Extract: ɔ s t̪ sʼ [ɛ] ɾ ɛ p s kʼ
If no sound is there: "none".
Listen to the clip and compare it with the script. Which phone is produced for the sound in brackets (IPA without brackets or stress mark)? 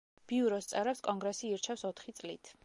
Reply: ɛ